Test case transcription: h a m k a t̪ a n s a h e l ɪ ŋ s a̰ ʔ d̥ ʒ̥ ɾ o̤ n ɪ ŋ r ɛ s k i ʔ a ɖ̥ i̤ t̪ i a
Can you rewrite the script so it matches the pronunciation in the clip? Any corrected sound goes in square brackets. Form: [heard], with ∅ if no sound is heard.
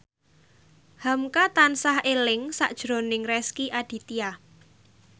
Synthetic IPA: h a m k a t̪ a n s a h e l ɪ ŋ s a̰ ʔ d̥ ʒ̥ ɾ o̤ n ɪ ŋ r ɛ s k i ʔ a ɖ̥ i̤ t̪ i a